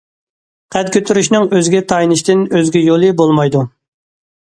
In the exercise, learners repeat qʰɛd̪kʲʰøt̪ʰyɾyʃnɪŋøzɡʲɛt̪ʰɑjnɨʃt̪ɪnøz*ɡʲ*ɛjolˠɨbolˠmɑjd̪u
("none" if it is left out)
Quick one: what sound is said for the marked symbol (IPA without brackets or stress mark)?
ɡʲ